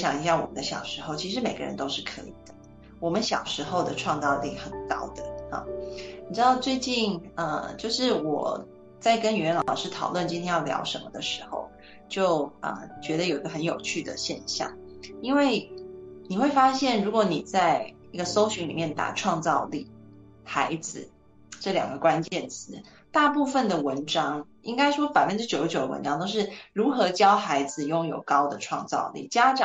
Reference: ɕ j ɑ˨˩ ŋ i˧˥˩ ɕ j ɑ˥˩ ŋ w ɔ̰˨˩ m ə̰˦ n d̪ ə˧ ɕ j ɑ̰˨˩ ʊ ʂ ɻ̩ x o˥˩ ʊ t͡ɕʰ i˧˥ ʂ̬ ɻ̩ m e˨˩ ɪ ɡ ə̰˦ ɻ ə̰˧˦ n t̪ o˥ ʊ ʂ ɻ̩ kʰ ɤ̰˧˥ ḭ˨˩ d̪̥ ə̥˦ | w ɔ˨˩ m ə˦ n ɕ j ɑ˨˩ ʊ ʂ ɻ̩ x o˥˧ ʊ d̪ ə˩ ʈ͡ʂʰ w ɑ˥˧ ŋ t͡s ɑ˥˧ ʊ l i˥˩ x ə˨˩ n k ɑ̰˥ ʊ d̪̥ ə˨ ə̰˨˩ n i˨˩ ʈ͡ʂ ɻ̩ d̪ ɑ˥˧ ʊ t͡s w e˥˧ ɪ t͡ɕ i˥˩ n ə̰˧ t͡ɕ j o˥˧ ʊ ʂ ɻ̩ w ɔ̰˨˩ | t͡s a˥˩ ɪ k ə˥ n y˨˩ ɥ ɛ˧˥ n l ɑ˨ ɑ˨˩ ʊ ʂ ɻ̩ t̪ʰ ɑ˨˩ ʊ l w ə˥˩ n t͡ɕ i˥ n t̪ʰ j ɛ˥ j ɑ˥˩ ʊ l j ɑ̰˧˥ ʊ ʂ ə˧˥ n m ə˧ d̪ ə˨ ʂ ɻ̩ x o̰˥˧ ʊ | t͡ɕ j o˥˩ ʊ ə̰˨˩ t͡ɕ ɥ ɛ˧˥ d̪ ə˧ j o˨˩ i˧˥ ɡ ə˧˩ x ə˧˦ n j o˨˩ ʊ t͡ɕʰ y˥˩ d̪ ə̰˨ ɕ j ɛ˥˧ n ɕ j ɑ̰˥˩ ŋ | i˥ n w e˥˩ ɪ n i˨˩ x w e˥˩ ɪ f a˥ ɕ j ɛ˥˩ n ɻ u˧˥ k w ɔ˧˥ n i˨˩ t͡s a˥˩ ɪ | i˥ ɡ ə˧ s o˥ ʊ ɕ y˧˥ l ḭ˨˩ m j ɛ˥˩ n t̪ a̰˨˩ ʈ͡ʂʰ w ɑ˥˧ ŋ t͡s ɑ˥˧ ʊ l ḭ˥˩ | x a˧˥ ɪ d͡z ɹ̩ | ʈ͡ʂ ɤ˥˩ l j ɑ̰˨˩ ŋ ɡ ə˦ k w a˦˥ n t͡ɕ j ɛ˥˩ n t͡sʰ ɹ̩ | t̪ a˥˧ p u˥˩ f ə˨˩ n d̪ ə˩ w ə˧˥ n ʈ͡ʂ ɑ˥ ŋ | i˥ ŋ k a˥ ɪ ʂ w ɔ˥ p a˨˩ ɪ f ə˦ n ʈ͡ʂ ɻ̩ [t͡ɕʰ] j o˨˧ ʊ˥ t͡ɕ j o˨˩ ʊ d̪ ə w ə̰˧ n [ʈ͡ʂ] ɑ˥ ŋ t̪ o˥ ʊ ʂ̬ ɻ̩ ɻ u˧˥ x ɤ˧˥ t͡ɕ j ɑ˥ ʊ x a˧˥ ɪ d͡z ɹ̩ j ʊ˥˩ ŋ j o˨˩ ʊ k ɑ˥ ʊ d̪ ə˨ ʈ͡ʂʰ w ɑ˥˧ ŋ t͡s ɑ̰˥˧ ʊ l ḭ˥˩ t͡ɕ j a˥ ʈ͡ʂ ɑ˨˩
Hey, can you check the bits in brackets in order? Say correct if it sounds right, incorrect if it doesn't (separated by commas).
incorrect, correct